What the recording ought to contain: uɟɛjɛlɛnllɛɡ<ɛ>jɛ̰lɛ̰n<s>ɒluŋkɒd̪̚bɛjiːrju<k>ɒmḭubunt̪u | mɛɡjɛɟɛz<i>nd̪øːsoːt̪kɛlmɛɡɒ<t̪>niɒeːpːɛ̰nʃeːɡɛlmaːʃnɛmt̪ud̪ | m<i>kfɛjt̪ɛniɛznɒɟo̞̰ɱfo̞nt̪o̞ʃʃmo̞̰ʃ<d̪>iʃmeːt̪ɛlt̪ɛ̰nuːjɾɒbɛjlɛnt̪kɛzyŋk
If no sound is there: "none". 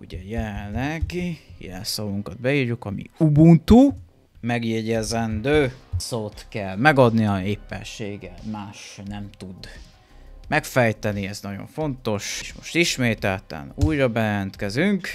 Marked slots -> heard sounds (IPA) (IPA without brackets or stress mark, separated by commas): i, s, k, ɛ, d̪, ɛ, t̪